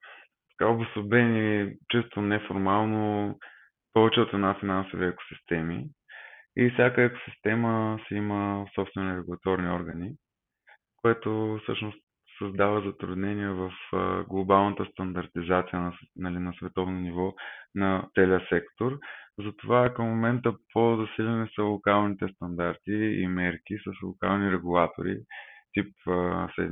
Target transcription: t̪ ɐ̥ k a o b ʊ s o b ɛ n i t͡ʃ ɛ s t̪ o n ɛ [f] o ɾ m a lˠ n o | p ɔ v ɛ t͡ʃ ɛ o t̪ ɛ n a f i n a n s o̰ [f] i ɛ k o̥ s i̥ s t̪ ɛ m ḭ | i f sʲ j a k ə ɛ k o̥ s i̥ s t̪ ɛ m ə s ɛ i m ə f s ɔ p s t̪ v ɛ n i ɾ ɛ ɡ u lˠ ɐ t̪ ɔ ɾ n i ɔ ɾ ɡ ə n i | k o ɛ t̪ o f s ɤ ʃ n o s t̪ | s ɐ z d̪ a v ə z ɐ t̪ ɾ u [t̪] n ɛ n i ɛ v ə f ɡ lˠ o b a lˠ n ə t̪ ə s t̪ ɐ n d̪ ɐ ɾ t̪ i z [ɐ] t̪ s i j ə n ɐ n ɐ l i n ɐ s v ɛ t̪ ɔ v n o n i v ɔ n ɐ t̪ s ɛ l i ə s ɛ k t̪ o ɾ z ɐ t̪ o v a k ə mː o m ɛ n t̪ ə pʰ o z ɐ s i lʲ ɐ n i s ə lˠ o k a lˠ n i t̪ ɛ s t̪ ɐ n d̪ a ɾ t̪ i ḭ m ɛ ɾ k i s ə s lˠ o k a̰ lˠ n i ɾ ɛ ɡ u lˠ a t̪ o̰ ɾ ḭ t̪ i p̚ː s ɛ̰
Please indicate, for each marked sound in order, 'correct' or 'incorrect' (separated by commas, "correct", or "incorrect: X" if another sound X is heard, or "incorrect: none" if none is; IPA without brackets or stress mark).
correct, incorrect: v, incorrect: d̪, incorrect: a